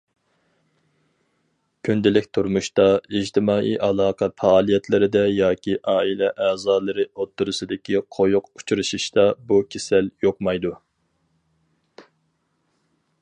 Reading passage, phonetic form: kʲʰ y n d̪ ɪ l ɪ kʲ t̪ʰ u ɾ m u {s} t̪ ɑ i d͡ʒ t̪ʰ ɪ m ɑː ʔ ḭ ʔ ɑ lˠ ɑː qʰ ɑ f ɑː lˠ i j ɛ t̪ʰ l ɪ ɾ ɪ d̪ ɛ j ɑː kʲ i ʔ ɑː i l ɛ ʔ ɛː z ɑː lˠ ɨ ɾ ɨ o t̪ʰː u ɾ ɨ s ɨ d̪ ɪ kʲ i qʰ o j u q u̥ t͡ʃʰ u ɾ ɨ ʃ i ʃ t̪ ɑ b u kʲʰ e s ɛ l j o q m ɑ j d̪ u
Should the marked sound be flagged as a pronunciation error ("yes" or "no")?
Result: yes